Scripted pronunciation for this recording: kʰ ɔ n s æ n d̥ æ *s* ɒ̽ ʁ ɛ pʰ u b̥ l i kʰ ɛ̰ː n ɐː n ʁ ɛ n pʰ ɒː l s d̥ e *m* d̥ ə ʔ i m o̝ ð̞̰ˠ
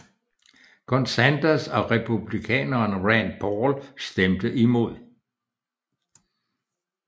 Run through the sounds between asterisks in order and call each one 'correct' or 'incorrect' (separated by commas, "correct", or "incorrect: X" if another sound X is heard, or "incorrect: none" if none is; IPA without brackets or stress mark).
correct, correct